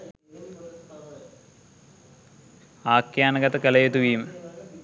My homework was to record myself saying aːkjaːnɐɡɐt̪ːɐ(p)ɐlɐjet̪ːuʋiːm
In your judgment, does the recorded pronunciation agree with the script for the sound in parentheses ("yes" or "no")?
no